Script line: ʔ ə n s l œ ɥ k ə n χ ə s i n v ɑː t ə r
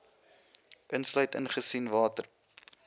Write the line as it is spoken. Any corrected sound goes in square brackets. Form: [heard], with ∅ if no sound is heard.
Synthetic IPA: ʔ ə n s l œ ɥ [t] ə n χ ə s i n v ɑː t ə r